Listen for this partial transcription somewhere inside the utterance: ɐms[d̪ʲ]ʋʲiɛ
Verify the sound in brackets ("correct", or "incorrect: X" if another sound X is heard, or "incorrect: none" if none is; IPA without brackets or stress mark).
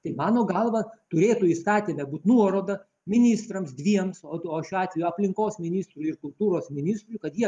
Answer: correct